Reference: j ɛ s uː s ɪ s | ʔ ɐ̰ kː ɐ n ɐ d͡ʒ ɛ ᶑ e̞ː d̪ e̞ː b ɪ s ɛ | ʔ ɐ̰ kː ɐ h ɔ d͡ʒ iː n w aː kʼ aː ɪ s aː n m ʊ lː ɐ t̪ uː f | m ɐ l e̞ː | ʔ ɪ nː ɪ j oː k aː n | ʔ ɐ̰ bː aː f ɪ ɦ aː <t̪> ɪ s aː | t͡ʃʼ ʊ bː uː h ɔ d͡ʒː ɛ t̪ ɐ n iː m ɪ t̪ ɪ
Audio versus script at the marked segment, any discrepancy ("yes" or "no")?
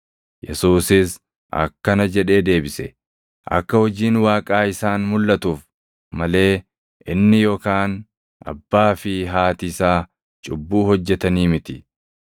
no